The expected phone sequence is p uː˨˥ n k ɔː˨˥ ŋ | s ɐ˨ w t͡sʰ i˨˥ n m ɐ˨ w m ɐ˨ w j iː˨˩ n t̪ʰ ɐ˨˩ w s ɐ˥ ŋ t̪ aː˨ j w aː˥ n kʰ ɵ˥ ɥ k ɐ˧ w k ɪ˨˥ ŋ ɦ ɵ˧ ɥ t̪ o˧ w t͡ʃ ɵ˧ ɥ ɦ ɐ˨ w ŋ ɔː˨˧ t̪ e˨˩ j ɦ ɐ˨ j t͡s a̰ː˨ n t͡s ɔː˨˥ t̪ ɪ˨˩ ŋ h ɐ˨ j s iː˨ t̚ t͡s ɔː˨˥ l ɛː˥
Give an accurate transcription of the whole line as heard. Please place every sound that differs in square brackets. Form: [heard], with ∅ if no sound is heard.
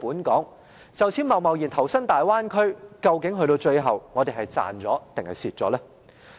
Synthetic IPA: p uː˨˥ n k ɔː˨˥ ŋ | [t͡s] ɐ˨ w t͡sʰ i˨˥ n m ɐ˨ w m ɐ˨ w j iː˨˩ n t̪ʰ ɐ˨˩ w s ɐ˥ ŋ t̪ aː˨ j w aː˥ n kʰ ɵ˥ ɥ k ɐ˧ w k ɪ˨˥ ŋ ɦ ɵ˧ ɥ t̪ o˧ w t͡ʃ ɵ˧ ɥ ɦ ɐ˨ w ŋ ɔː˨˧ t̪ e˨˩ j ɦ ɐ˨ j t͡s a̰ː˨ n t͡s ɔː˨˥ t̪ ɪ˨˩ ŋ h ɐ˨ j s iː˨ t̚ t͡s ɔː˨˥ l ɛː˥